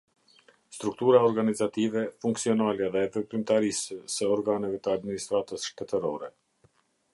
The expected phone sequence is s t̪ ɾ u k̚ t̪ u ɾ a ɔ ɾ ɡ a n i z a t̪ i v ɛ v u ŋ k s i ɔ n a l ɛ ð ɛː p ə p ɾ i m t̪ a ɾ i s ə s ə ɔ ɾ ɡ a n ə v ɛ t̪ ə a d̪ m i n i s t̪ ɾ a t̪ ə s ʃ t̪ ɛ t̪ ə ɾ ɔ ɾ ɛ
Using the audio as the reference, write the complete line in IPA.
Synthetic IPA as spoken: s t̪ ɾ u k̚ t̪ u ɾ a ɔ ɾ ɡ a n i z a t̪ i v ɛ f u ŋ k s i ɔ n a l ɛ ð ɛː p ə p ɾ i m t̪ a ɾ i s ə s ə ɔ ɾ ɡ a n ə v ɛ t̪ ə a d̪ m i n i s t̪ ɾ a t̪ ə s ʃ t̪ ɛ t̪ ə ɾ ɔ ɾ ɛ